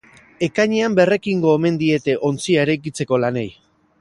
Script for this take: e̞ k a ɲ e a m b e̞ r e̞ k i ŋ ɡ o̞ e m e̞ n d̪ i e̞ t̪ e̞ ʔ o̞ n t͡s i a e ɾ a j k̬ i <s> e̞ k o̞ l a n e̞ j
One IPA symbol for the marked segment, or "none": t͡s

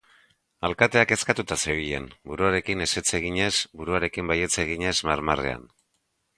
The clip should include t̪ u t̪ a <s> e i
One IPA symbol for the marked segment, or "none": s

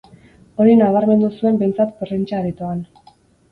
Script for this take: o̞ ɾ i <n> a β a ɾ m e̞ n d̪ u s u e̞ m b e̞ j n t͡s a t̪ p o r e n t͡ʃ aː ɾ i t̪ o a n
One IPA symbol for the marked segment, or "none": n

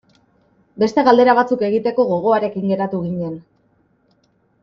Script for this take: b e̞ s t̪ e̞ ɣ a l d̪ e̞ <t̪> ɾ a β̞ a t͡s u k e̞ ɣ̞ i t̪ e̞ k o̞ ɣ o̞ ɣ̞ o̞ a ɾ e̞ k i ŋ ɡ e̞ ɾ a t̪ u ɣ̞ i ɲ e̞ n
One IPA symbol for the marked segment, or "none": none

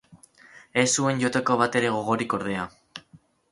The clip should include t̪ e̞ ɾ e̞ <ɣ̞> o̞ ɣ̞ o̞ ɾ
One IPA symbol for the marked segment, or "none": ɣ̞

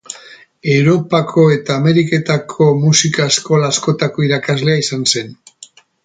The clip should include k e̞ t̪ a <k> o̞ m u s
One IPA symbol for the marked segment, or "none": kʰ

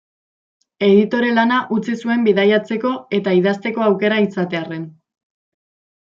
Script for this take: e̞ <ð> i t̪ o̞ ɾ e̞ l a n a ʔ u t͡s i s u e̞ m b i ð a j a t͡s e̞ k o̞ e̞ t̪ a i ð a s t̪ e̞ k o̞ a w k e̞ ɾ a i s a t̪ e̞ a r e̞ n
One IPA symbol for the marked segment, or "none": ð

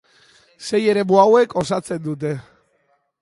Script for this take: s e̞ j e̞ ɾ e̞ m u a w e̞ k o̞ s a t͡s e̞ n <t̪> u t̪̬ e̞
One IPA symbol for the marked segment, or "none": d̪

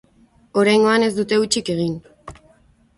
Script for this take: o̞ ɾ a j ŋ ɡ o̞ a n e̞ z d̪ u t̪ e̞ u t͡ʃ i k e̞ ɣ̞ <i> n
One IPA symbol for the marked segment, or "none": i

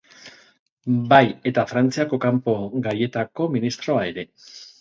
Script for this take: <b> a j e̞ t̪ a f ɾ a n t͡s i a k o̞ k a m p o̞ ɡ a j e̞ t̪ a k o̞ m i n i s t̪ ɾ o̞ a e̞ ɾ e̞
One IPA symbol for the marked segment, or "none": b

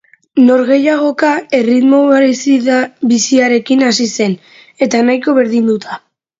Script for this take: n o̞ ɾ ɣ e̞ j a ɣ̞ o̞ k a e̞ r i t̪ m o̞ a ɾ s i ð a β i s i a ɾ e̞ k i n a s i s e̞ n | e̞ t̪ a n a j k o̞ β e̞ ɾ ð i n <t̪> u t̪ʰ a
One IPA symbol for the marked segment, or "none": d̪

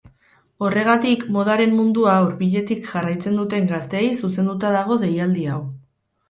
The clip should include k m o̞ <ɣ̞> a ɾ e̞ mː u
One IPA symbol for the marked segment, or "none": ð̞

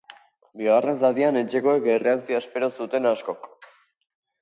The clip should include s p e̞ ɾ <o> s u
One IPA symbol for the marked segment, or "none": o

